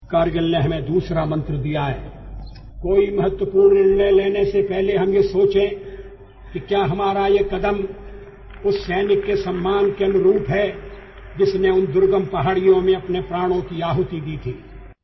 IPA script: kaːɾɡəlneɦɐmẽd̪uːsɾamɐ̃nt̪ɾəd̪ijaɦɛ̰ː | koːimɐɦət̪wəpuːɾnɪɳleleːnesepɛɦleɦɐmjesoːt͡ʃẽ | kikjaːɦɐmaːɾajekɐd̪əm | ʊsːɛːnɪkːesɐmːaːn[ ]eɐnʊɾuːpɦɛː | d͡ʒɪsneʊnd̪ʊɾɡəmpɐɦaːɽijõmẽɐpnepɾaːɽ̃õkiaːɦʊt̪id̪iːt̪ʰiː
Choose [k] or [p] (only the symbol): k